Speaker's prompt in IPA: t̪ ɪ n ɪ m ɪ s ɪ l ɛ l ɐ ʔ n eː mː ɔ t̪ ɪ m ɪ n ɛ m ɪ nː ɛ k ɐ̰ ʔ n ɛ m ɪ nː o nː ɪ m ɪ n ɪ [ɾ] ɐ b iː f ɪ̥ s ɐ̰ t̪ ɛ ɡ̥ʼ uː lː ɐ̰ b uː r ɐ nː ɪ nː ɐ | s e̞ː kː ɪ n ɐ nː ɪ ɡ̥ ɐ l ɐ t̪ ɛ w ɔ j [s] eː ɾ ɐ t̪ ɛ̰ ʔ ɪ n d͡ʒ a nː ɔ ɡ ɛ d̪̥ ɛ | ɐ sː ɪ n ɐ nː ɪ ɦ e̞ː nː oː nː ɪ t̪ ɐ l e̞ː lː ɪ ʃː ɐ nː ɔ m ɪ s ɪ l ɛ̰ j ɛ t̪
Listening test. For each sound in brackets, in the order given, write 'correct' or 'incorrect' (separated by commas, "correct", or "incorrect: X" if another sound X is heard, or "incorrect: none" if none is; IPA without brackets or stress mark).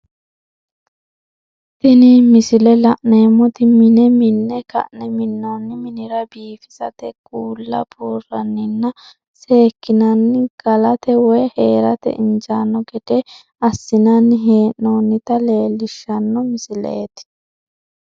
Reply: correct, incorrect: h